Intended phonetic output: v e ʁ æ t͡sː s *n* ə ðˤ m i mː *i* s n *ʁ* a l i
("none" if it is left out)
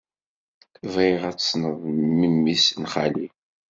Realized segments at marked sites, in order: n, i, χ

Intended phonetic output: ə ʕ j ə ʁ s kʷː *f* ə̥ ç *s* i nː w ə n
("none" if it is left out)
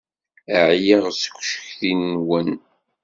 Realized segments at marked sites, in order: ʃ, θ

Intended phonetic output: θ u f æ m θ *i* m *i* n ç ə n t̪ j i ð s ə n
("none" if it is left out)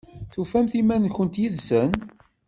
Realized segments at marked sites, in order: i, æ

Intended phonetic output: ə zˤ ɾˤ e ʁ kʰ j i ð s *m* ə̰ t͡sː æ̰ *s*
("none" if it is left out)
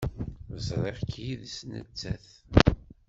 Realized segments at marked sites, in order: n, θ

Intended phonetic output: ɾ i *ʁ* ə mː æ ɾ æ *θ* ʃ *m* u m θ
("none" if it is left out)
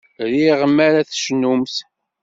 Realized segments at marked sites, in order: ʁ, θ, n

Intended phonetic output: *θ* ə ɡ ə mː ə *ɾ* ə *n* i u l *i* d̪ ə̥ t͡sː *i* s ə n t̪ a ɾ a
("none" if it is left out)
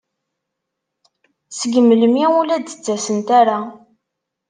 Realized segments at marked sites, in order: s, l, m, æ, æ

